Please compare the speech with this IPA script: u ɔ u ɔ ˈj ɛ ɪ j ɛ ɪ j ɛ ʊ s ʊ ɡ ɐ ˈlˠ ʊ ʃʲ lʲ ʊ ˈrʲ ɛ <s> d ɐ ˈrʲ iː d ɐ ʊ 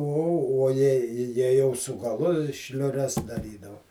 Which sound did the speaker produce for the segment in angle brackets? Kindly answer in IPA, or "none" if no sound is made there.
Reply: s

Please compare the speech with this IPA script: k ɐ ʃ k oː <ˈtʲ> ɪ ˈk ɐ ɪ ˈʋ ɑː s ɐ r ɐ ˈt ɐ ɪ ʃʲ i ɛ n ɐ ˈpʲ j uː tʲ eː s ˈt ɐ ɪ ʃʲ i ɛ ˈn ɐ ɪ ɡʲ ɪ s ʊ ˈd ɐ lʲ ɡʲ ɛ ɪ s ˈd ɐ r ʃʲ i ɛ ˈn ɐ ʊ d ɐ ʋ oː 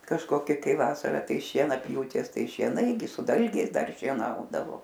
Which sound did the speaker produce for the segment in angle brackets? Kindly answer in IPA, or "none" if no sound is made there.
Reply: kʲ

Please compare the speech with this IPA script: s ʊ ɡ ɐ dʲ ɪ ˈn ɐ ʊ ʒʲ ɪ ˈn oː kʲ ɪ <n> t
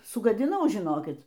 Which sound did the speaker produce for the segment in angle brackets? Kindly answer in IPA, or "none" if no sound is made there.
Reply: none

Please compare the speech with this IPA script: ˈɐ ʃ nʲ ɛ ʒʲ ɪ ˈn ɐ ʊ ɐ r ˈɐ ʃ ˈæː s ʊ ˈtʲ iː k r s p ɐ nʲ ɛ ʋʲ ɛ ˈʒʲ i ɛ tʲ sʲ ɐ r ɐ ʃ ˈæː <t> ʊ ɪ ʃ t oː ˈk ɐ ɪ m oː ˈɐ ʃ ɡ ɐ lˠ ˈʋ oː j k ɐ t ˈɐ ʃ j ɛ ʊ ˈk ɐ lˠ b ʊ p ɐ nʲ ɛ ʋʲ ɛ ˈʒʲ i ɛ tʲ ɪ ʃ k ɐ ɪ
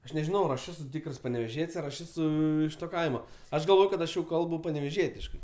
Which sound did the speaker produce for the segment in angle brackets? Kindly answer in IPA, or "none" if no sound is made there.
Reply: s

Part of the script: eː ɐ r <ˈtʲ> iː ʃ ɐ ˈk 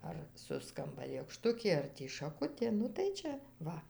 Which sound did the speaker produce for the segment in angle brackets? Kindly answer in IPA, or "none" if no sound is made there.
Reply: tʲ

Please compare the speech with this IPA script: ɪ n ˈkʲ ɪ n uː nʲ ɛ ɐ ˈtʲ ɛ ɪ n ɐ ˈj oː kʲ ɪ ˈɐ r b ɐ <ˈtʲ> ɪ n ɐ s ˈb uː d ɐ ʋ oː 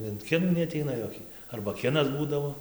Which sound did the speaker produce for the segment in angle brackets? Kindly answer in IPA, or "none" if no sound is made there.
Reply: kʲ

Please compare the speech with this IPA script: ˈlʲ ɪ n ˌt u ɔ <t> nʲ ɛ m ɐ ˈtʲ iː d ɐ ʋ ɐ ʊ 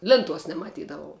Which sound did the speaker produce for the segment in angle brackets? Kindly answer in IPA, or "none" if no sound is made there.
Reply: s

